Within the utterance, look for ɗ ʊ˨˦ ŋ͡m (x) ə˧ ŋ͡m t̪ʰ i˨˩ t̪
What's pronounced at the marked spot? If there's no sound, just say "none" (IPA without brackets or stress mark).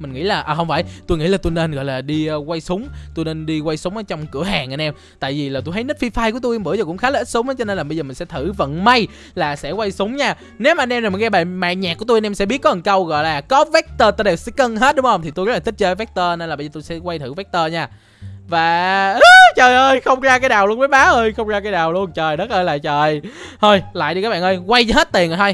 h